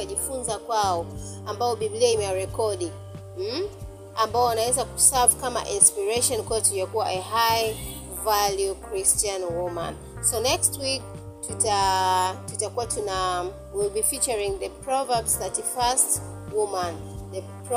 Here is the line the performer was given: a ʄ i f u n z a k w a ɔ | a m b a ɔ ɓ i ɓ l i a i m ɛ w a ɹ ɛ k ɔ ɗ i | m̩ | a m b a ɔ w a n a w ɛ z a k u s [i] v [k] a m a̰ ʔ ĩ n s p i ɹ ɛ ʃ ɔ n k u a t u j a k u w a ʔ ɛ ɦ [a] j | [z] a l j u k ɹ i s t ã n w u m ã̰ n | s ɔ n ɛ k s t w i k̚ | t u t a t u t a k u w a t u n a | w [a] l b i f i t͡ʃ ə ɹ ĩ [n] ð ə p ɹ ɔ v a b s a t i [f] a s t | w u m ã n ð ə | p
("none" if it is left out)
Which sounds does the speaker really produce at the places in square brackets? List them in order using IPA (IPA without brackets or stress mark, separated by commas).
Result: a, k, a, v, i, ŋ, f